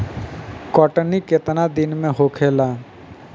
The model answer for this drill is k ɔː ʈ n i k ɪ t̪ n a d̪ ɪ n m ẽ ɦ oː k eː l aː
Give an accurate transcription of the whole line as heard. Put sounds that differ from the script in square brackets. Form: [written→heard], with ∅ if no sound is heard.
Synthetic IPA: k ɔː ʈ n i k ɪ t̪ n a d̪ ɪ n m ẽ ɦ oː [k→kʰ] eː l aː